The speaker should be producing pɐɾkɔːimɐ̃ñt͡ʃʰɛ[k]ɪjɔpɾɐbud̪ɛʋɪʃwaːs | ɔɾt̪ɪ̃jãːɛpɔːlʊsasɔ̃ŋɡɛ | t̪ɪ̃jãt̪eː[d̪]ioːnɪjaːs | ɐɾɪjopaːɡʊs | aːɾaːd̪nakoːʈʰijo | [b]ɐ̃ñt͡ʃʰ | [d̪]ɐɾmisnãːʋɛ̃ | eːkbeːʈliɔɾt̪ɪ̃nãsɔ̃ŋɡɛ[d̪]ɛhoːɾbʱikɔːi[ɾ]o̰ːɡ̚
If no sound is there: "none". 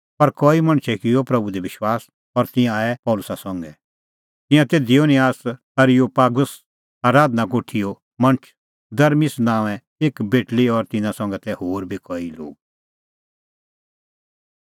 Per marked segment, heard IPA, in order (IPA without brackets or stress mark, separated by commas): k, d̪, m, d̪, t̪, l